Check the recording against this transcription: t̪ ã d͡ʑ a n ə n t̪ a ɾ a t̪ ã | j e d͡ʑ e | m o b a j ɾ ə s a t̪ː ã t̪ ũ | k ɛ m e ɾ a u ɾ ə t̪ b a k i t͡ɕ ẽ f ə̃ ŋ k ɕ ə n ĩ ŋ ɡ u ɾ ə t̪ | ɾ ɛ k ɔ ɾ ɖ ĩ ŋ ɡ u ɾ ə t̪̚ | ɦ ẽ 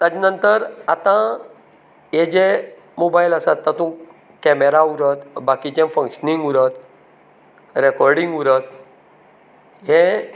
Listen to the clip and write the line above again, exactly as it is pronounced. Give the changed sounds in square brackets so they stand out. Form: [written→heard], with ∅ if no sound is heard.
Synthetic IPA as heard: t̪ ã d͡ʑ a n ə n t̪ [a→ə] ɾ a t̪ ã | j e d͡ʑ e | m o b a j [ɾ→l] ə s a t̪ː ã t̪ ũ | k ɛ m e ɾ a u ɾ ə t̪ b a k i t͡ɕ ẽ f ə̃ ŋ k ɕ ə n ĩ ŋ ɡ u ɾ ə t̪ | ɾ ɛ k ɔ ɾ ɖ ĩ ŋ ɡ u ɾ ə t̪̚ | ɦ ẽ